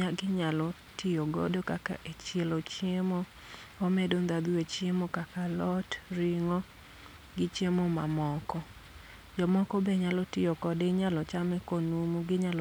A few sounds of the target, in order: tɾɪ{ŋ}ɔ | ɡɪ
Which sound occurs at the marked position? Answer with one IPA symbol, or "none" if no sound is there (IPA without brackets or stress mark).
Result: ŋ